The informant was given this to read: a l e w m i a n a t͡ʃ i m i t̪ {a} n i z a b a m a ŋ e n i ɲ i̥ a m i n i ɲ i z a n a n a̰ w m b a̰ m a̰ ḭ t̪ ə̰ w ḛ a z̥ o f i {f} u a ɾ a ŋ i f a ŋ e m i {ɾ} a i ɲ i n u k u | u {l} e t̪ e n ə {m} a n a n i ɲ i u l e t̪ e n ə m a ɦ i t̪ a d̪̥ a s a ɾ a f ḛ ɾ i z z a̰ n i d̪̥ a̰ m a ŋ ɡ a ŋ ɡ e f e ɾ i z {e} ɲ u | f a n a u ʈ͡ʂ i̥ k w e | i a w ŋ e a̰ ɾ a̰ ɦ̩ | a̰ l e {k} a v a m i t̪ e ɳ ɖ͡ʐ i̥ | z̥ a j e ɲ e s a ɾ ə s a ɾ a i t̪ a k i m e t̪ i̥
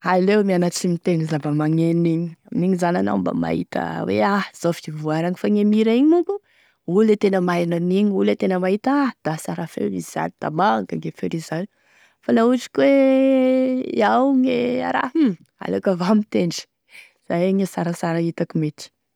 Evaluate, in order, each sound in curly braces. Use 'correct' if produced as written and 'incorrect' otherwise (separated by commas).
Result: incorrect, incorrect, correct, correct, correct, incorrect, correct